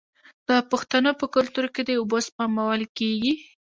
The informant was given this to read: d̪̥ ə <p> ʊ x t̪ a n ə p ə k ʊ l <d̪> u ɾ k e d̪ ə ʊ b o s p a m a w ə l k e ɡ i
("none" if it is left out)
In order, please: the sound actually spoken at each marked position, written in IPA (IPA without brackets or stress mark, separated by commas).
p, t̪